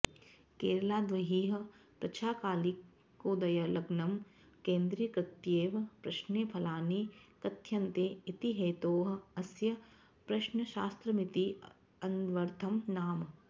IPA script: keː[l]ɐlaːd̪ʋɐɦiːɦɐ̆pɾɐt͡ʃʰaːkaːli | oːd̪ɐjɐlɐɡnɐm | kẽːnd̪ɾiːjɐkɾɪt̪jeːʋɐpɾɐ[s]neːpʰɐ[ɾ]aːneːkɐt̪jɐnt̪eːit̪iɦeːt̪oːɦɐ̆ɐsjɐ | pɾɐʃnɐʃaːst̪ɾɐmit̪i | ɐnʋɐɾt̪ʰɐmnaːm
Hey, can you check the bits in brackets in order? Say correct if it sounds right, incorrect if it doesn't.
incorrect, incorrect, incorrect

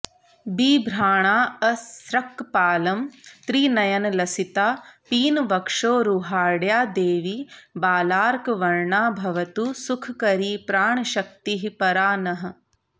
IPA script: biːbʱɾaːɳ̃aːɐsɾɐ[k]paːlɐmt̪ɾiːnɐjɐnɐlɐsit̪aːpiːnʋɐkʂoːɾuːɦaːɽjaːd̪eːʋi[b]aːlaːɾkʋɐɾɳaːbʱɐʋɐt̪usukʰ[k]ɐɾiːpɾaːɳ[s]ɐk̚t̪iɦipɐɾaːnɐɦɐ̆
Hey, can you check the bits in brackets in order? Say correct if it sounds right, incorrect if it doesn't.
correct, correct, correct, incorrect

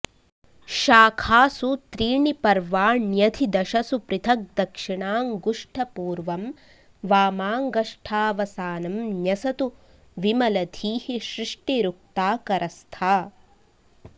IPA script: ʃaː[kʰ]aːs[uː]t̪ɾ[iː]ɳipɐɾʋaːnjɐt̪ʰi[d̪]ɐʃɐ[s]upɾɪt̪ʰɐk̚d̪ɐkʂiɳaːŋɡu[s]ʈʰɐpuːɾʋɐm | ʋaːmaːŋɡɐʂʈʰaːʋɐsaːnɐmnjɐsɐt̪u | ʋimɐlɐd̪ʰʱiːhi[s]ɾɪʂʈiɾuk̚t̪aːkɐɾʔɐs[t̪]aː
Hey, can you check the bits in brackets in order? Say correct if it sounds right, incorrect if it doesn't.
correct, incorrect, correct, correct, correct, incorrect, incorrect, incorrect

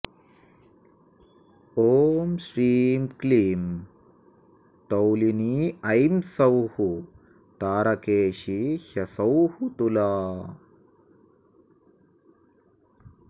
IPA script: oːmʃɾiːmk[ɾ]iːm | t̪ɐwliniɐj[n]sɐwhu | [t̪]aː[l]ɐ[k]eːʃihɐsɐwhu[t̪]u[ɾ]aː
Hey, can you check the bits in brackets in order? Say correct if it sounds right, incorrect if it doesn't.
incorrect, incorrect, correct, incorrect, correct, correct, incorrect

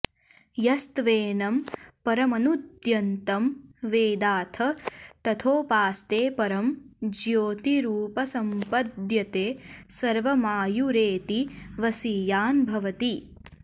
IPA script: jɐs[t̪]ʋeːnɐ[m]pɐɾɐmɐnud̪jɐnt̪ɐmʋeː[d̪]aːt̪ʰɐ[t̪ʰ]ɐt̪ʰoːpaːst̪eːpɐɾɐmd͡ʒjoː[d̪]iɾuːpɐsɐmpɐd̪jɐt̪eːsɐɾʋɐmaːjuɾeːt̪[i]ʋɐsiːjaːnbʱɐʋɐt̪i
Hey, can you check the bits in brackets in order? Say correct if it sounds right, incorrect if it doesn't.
correct, correct, correct, incorrect, incorrect, correct

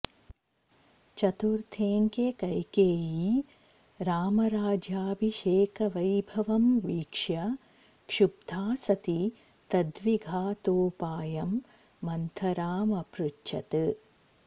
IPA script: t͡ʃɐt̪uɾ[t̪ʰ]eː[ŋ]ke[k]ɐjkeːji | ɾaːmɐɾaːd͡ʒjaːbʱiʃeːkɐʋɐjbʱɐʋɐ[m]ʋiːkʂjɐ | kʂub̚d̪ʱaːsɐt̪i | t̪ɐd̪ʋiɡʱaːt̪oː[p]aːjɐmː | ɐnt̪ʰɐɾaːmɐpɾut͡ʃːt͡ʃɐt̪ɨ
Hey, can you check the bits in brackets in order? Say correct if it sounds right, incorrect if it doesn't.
correct, correct, correct, correct, correct

